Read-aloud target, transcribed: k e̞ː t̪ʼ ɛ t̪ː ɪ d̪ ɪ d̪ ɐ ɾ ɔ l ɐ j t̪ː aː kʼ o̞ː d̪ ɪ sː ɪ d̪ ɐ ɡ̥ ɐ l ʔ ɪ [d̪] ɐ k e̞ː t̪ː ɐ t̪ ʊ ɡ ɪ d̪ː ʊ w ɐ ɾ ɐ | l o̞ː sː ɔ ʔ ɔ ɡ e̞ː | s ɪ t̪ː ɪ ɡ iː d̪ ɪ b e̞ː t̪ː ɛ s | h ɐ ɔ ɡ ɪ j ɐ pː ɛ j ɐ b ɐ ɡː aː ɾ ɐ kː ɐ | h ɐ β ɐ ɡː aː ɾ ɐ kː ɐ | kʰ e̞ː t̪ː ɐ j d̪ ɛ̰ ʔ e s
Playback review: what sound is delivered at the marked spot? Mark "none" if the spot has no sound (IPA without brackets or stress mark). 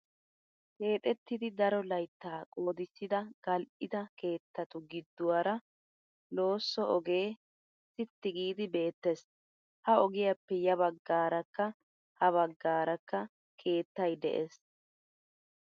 d̪